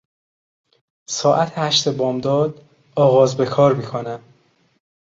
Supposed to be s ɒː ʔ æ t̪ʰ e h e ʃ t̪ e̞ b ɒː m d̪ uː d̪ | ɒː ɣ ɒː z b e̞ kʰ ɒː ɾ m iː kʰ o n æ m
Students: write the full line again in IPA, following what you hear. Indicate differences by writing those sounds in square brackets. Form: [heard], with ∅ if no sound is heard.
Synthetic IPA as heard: s ɒː ʔ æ t̪ʰ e h [æ] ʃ t̪ e̞ b ɒː m d̪ [ɒː] d̪ | ɒː ɣ ɒː z b e̞ kʰ ɒː ɾ m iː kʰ o n æ m